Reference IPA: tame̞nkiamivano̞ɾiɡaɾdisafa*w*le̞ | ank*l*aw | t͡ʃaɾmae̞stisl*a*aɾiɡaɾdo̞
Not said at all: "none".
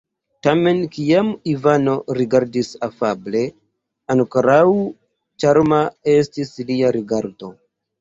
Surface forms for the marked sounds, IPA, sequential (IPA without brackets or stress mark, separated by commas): b, ɾ, i